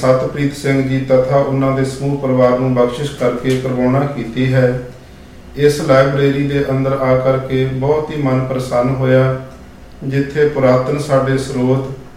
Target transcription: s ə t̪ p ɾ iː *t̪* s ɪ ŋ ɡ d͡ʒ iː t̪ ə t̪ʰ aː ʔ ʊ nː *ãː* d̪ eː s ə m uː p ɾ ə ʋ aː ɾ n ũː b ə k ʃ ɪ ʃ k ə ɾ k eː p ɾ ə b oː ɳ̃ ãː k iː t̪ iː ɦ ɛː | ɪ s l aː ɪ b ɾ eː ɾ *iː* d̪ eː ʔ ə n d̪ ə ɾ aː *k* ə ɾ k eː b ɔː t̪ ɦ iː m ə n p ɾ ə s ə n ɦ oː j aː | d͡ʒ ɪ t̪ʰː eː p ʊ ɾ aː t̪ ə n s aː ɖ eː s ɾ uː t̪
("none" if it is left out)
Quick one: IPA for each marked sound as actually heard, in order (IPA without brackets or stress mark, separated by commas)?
t̪, ãː, iː, k